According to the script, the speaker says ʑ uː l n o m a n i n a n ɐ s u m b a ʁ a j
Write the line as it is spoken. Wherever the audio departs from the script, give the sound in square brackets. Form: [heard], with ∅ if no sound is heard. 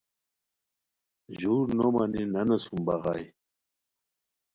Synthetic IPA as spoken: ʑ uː [ɾ] n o m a n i n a n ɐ s u m b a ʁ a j